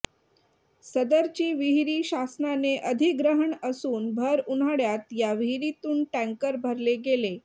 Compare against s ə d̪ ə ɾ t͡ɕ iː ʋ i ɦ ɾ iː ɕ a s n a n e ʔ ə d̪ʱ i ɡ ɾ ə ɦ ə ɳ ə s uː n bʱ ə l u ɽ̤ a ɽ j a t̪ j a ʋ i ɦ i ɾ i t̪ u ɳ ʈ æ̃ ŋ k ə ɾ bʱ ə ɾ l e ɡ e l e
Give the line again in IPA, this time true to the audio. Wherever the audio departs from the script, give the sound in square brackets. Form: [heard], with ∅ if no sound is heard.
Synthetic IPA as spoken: s ə d̪ ə ɾ t͡ɕ iː ʋ i ɦ ɾ iː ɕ a s n a n e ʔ ə d̪ʱ i ɡ ɾ ə ɦ ə ɳ ə s uː n bʱ ə [ɾ] u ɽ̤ a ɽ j a t̪ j a ʋ i ɦ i ɾ i t̪ [uː] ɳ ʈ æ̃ ŋ k ə ɾ bʱ ə ɾ l e ɡ e l e